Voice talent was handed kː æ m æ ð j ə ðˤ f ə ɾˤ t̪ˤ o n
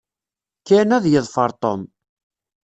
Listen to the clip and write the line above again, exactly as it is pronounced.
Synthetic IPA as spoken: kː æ n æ ð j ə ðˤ f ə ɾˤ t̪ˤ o m